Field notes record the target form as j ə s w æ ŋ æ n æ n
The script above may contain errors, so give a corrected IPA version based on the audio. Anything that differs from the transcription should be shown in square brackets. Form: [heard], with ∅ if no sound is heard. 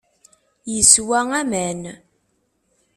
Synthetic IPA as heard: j ə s w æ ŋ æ [m] æ n